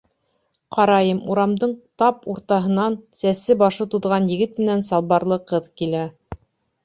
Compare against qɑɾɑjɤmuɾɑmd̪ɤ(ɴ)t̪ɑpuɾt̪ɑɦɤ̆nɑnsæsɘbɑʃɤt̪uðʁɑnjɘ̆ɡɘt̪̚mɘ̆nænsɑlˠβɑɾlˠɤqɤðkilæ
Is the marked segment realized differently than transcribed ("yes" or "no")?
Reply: no